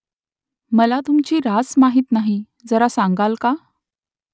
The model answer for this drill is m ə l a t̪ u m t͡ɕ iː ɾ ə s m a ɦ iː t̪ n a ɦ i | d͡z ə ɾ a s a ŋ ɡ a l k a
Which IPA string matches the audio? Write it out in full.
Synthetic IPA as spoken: m ə l a t̪ u m t͡ɕ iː ɾ a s m a ɦ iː t̪ n a ɦ i | d͡z ə ɾ a s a ŋ ɡ a l k a